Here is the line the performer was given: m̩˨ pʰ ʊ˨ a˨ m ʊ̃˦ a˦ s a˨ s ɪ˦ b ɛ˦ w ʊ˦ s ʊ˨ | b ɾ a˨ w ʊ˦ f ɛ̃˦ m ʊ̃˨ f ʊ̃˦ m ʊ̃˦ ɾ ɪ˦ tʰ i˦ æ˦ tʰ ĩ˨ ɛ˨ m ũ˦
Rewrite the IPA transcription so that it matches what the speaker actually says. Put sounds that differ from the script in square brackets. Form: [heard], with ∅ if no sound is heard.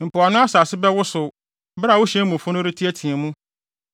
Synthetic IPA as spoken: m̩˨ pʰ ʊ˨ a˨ [n] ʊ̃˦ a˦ s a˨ s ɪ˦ b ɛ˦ w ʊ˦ s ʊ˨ | b ɾ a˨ w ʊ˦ [ɕ] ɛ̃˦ m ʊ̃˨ f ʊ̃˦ [n] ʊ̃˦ ɾ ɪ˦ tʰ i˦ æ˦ tʰ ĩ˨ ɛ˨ m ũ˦